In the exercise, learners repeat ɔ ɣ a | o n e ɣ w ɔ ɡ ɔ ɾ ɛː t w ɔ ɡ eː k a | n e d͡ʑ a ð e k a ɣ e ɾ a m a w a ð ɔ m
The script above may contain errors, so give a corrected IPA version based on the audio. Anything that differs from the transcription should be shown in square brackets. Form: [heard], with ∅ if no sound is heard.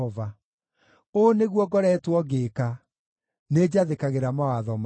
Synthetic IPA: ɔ [v] a | o n e ɣ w ɔ ɡ ɔ ɾ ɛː t w ɔ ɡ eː k a | n e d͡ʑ a ð e k a ɣ e ɾ a m a w a ð ɔ m